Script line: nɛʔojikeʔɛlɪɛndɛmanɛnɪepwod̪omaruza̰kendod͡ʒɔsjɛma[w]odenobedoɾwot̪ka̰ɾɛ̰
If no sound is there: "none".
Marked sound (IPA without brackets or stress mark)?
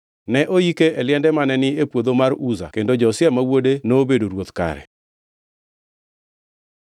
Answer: w